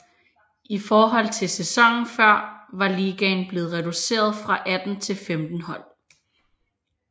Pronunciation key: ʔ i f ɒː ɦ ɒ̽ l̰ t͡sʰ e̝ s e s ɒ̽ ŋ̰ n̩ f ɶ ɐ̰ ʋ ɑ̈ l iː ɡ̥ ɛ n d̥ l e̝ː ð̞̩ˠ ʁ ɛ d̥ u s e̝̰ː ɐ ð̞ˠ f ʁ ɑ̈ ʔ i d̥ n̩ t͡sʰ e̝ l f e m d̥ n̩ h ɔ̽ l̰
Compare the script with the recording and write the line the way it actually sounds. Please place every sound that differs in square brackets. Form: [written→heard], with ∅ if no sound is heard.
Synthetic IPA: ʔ i f ɒː ɦ ɒ̽ l̰ t͡sʰ e̝ s e s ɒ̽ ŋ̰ n̩ f ɶ ɐ̰ ʋ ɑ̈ l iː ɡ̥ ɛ n [d̥→b̥] l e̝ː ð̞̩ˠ ʁ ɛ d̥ u s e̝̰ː ɐ ð̞ˠ f ʁ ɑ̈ ʔ [i→æ] d̥ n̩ t͡sʰ e̝ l f e m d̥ n̩ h [ɔ̽→ɒ̽] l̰

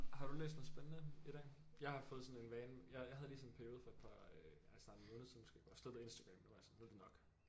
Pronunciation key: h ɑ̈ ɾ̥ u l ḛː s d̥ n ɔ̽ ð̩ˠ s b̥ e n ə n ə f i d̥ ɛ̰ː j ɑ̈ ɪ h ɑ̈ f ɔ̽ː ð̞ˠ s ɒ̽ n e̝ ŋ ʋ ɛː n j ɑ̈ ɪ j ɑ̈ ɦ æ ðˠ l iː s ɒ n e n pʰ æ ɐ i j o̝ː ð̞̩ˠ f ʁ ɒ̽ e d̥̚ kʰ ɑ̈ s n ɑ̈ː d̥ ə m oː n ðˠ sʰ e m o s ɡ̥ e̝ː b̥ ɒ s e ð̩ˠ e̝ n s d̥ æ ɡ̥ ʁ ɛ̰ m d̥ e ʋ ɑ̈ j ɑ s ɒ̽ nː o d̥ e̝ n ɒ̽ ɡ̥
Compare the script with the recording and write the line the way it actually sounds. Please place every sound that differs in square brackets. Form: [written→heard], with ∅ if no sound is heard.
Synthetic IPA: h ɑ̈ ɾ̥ u l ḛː s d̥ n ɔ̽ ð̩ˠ s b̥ e n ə n ə [f→∅] i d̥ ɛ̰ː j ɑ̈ ɪ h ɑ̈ f ɔ̽ː ð̞ˠ s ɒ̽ n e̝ [ŋ→n] ʋ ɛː n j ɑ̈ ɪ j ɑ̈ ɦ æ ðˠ l iː s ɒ n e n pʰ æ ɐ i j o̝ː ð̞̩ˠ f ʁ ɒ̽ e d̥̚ [kʰ→pʰ] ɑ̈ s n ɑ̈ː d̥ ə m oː n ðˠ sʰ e m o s ɡ̥ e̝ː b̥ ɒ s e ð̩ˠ e̝ n s d̥ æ ɡ̥ ʁ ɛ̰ m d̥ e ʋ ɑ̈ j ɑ s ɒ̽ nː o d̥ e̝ n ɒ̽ ɡ̥

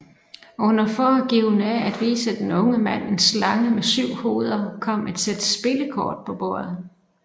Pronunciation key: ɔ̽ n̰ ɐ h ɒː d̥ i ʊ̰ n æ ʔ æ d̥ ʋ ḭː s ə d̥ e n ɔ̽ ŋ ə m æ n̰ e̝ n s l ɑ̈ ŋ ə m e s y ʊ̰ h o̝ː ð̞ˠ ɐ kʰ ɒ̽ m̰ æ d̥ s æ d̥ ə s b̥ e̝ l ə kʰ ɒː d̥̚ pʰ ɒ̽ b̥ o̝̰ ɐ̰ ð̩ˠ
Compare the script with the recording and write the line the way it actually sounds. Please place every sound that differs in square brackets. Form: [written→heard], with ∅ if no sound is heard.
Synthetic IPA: ɔ̽ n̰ ɐ [h→f] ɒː [d̥→ɡ̥] i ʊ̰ n æ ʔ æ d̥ ʋ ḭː s ə d̥ e n ɔ̽ ŋ ə m æ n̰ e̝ n s l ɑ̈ ŋ ə m e s y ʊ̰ h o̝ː ð̞ˠ ɐ kʰ ɒ̽ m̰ æ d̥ s [æ→e] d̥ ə s b̥ e̝ l ə kʰ ɒː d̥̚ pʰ ɒ̽ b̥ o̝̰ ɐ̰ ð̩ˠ

